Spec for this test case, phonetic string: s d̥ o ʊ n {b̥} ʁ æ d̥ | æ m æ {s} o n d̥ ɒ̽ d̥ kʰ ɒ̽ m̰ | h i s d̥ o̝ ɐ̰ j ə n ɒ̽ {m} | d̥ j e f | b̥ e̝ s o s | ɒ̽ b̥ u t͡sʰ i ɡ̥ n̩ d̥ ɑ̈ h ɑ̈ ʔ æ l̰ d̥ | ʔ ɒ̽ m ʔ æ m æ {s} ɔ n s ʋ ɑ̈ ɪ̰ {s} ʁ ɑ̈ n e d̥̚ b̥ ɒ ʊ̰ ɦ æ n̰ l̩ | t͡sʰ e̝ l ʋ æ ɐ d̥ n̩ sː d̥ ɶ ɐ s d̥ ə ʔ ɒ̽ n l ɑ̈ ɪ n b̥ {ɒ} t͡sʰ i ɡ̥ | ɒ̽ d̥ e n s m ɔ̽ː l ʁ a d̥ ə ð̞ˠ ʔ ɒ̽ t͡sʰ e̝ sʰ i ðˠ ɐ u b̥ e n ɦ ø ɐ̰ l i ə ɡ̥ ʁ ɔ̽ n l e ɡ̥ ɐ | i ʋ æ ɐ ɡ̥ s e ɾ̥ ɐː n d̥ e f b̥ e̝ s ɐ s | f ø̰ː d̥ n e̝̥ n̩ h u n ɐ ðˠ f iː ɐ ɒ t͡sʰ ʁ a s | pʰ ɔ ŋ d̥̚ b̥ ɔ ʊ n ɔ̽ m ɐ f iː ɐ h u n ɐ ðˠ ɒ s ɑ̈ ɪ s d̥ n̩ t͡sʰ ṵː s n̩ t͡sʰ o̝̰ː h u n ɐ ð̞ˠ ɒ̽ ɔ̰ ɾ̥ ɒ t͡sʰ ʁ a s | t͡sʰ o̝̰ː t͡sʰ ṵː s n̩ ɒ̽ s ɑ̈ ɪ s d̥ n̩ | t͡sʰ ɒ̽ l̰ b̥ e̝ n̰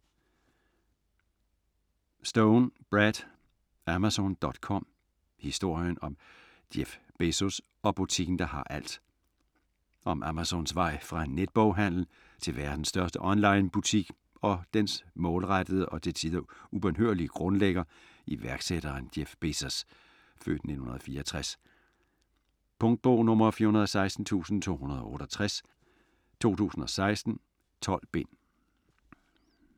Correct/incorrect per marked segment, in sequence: correct, correct, correct, correct, incorrect, incorrect

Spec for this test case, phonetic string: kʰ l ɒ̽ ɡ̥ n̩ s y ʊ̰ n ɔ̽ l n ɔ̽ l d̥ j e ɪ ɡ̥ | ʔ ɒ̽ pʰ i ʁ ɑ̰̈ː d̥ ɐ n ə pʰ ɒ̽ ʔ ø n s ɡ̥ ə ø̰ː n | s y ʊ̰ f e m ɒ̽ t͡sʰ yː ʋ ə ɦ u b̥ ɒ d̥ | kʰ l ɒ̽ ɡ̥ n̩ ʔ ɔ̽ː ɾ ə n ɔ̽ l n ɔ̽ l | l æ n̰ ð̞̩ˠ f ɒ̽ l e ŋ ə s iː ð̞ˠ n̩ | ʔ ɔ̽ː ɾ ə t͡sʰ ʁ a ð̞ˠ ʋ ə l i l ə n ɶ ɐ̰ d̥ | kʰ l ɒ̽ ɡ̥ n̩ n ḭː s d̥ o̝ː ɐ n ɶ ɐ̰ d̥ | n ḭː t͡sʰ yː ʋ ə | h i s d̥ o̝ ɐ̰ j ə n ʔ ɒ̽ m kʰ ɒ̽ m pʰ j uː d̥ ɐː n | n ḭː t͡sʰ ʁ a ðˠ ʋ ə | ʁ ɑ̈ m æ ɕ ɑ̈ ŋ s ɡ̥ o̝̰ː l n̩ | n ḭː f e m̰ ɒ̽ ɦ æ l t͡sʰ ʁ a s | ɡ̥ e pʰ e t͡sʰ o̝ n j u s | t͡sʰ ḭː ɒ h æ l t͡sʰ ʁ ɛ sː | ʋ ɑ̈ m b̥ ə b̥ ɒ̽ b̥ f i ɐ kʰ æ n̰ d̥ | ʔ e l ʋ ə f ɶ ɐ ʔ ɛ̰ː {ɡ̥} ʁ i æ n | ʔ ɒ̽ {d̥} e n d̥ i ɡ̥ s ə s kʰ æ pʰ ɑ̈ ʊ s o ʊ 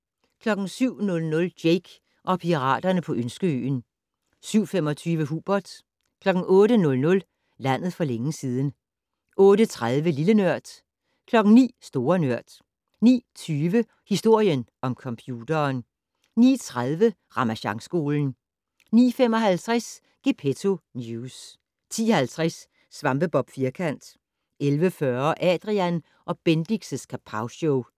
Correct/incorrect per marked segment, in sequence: incorrect, incorrect

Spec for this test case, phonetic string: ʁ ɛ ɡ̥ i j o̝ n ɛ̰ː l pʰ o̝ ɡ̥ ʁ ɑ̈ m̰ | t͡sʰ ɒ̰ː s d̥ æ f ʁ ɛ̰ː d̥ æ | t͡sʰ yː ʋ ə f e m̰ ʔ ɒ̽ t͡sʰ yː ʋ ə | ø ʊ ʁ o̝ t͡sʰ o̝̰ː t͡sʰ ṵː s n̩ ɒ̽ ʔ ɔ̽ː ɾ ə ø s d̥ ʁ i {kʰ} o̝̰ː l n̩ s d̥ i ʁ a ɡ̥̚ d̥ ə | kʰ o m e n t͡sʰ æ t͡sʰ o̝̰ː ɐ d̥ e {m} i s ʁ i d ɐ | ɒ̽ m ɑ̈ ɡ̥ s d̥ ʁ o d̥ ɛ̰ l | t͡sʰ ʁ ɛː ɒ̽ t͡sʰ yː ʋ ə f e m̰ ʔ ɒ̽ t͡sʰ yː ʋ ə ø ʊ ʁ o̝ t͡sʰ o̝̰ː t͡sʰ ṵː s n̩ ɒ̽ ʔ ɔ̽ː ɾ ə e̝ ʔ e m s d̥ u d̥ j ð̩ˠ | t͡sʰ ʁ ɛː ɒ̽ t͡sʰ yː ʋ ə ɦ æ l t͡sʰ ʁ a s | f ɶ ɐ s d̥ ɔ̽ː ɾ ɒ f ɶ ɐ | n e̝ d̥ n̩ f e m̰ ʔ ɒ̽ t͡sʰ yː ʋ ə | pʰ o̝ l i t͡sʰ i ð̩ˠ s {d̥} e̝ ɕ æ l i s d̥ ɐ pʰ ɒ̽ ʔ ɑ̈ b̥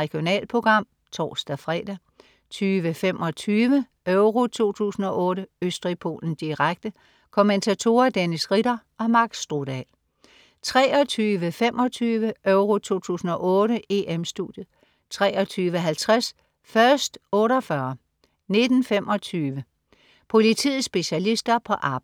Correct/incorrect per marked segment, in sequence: incorrect, incorrect, incorrect

